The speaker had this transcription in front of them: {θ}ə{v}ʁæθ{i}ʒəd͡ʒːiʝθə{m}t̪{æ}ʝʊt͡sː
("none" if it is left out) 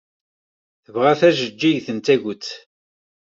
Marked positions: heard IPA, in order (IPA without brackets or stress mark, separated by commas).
θ, v, æ, n, æ